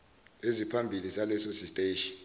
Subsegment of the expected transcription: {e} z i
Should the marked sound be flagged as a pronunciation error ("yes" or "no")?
no